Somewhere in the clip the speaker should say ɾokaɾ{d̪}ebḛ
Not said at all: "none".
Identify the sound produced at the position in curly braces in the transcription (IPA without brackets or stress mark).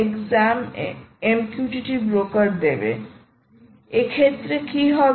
d̪